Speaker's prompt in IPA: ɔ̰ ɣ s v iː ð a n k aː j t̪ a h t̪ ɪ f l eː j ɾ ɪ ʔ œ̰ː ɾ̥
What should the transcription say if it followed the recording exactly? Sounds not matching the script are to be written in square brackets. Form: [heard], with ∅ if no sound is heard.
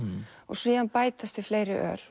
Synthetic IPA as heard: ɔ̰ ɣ s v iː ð a n [p] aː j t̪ a [s] t̪ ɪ f l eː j ɾ ɪ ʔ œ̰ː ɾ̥